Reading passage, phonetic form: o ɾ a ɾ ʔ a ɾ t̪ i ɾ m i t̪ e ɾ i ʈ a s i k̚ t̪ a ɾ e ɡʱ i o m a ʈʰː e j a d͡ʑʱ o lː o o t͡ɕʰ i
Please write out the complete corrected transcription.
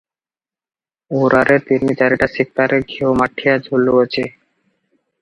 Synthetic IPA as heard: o ɾ a ɾ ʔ e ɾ t̪ i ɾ m i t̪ a ɾ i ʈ a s i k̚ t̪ a ɾ e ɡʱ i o m a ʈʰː i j a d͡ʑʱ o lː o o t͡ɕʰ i